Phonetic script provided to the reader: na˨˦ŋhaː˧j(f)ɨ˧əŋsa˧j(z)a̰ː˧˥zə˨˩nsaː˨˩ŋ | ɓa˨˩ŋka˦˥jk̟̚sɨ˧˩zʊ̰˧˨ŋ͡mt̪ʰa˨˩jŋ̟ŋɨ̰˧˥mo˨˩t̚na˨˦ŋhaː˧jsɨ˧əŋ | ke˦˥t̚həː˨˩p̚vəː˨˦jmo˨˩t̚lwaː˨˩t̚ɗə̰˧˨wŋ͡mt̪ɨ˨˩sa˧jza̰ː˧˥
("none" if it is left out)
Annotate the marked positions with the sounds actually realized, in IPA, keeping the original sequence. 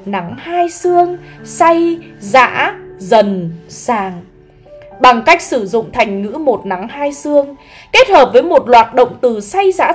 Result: s, z

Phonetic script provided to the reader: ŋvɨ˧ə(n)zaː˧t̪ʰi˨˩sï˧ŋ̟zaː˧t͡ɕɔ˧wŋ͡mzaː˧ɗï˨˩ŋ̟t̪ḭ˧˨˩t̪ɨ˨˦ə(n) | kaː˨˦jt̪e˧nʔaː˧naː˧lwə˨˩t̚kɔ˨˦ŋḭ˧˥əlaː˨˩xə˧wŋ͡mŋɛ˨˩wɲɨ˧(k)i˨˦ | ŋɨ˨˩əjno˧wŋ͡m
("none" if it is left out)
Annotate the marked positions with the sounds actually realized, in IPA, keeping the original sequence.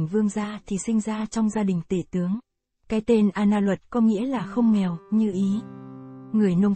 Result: ŋ, ŋ, ʔ

